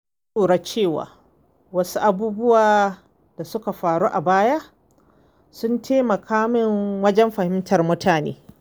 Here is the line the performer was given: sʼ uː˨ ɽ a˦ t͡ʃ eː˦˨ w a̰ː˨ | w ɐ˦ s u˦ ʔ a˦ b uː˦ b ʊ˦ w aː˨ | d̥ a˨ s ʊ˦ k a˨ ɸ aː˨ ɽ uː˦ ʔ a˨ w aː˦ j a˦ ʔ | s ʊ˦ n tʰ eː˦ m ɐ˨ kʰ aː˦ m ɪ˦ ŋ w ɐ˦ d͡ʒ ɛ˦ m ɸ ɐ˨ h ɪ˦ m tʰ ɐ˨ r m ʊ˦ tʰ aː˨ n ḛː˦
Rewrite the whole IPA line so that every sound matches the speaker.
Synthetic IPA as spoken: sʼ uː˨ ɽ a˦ t͡ʃ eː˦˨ w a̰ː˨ | w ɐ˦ s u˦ ʔ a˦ b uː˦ b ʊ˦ w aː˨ | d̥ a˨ s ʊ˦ k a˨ ɸ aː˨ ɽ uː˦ ʔ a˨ b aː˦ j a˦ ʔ | s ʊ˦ n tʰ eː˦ m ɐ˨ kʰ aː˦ m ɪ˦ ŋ w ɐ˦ d͡ʒ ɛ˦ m ɸ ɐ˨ h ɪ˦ m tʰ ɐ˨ r m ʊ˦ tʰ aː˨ n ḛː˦